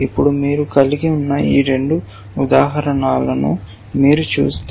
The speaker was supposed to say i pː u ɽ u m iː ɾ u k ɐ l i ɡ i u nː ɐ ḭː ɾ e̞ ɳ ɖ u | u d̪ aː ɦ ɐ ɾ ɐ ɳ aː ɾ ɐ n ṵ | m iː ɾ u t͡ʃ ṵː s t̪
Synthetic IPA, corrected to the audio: i pː u ɽ u m iː ɾ u k ɐ l i ɡ i u nː ɐ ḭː ɾ e̞ ɳ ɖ u | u d̪ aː ɦ ɐ ɾ ɐ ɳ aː l ɐ n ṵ | m iː ɾ u t͡ʃ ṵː s t̪